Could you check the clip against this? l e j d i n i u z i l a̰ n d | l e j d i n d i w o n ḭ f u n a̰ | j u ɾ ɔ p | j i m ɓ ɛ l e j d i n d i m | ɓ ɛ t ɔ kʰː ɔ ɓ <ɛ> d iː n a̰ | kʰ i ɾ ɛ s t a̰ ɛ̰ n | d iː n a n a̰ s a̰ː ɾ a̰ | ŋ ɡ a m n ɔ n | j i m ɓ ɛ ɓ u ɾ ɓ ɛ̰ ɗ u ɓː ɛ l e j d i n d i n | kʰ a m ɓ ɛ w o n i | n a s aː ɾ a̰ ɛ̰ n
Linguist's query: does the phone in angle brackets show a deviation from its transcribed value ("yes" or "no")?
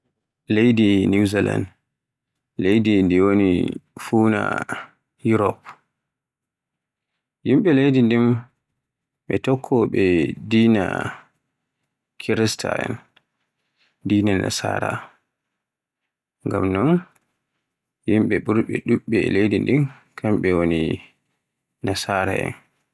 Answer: no